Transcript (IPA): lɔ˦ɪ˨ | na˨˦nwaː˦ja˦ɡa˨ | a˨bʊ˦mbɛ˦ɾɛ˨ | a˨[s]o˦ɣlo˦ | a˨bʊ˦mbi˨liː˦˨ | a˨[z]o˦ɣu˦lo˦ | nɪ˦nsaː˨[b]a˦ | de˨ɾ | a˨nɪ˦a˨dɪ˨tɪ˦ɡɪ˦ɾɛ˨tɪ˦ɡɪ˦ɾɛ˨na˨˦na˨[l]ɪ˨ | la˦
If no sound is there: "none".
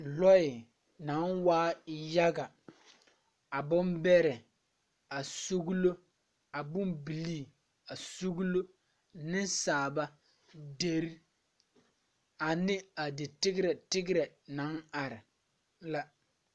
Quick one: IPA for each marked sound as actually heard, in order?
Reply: s, s, b, ɾ

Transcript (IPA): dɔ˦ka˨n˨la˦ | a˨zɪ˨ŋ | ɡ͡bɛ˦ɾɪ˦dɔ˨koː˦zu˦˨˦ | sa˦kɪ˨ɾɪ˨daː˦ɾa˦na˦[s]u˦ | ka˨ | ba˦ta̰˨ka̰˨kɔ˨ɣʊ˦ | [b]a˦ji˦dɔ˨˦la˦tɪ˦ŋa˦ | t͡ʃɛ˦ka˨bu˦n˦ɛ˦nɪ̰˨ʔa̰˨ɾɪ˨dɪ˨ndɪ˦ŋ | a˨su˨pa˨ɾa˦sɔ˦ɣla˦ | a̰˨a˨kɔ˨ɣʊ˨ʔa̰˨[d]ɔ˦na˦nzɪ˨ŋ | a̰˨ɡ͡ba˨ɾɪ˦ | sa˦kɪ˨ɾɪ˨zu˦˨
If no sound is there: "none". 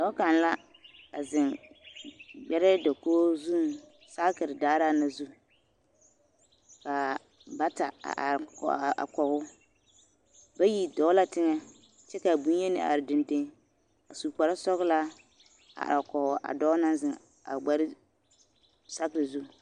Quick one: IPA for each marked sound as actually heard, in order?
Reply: z, b, d

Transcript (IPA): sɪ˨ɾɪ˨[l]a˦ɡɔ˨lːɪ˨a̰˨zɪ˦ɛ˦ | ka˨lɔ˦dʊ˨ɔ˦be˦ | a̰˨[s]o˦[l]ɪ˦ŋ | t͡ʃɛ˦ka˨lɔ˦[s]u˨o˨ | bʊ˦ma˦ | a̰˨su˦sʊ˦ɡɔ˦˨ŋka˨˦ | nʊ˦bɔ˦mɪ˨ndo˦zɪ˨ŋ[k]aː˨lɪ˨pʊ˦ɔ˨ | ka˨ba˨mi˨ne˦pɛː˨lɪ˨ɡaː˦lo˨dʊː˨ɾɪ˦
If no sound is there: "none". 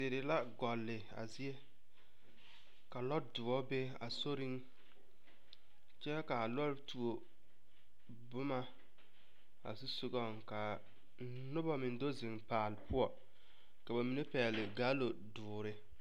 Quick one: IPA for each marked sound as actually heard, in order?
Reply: l, s, ɾ, t, p

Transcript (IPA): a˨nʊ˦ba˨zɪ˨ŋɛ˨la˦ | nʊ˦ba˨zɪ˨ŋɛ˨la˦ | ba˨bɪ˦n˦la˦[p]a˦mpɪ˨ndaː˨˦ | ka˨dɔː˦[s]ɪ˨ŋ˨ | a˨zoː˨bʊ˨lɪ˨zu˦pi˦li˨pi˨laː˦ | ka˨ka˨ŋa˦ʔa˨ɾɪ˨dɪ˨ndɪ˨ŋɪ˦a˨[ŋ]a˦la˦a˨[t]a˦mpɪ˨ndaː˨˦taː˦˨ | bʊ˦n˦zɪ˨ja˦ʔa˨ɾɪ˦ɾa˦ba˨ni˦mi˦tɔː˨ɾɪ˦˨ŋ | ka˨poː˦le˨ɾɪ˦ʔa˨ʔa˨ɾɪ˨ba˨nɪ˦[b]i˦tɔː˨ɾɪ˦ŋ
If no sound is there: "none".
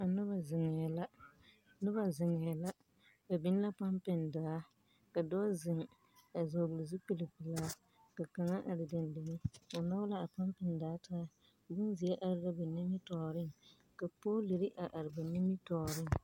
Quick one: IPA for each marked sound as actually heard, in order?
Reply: p, z, n, p, m

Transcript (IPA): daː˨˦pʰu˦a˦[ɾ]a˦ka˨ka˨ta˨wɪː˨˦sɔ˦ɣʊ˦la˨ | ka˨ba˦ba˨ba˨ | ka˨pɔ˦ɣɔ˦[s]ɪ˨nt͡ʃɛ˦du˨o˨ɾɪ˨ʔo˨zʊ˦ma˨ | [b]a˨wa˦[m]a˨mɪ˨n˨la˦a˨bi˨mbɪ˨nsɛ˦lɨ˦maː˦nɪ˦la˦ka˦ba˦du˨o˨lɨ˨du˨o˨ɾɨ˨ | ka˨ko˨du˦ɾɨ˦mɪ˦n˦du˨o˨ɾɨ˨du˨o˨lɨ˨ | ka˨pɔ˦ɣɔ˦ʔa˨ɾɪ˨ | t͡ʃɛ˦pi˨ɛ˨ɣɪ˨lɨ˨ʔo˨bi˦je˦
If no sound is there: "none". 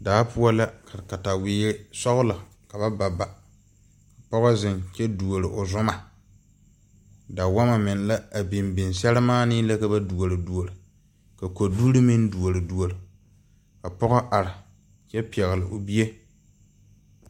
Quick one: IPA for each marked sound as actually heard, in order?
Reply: l, z, d, m

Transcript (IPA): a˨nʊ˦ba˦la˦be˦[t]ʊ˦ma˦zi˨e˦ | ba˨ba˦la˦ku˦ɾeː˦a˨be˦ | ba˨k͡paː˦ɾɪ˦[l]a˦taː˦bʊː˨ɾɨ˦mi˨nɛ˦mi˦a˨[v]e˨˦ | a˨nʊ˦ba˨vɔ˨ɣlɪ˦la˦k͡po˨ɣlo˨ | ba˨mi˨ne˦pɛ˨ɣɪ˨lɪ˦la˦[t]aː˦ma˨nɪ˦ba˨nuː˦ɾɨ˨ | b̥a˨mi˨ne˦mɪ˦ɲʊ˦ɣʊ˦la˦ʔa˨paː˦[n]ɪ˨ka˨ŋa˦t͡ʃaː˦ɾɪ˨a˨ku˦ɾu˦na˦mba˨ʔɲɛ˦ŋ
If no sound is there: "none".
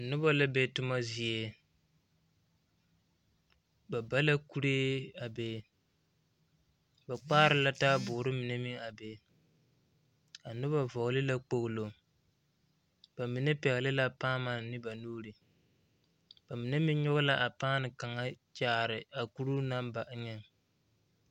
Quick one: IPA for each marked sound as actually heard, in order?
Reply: t, l, b, p, n

